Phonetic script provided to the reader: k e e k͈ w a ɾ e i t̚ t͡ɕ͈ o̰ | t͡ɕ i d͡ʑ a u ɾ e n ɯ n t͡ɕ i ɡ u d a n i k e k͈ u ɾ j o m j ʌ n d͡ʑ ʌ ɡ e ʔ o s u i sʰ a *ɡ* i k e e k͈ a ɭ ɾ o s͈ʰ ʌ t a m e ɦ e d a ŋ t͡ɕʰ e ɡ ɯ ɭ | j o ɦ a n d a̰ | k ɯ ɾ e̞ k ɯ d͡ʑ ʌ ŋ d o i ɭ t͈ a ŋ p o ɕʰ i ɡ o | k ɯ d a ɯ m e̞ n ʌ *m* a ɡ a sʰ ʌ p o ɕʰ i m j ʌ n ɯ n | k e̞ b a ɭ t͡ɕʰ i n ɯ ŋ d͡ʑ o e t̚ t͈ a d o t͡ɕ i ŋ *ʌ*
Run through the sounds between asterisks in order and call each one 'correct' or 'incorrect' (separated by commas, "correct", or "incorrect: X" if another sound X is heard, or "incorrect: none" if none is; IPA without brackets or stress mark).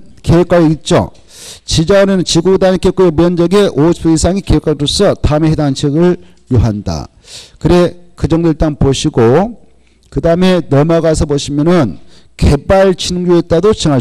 incorrect: ŋ, correct, incorrect: a